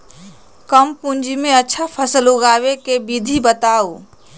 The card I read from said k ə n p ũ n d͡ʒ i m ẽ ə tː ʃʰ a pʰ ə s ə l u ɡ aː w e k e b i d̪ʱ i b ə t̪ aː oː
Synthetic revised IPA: k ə m p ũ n d͡ʒ i m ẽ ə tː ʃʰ a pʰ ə s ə l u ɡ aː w e k e b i d̪ʱ i b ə t̪ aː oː